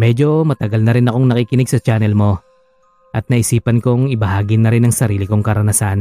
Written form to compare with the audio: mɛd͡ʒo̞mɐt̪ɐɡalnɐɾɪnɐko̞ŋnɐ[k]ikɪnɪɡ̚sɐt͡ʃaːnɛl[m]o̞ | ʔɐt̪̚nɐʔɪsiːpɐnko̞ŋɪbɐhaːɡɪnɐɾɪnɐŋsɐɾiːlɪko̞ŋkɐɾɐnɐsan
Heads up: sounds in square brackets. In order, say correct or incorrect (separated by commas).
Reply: correct, correct